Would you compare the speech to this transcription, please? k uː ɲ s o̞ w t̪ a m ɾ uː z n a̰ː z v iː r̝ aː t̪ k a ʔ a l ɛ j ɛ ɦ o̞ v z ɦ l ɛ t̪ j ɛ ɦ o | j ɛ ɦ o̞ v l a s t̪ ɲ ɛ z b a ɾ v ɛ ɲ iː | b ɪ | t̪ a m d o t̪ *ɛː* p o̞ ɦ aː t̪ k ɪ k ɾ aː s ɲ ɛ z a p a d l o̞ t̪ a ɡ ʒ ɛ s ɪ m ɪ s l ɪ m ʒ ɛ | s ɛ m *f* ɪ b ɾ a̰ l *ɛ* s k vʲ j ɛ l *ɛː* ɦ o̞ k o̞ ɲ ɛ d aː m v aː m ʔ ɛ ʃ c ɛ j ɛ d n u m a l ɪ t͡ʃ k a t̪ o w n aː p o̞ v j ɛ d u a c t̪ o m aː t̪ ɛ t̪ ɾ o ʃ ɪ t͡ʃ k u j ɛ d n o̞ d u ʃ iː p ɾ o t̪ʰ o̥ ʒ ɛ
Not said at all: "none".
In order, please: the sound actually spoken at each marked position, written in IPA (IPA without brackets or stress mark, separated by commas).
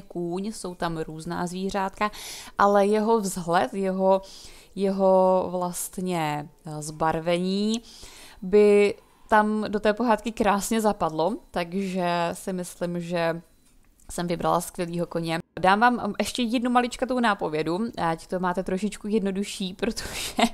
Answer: ɛː, v, a, iː